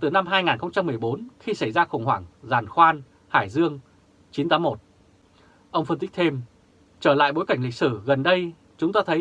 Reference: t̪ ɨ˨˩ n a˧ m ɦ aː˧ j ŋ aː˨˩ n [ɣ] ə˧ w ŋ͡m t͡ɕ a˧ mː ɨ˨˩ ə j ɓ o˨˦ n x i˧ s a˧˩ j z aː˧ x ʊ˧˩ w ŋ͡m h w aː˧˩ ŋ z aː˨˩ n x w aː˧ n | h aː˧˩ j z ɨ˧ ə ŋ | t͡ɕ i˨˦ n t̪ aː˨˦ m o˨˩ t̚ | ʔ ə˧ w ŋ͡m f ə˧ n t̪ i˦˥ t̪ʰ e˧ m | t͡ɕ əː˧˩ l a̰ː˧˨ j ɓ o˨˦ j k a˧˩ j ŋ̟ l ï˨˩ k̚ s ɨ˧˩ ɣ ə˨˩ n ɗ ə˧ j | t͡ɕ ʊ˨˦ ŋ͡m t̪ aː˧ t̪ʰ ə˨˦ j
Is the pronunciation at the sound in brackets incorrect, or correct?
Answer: incorrect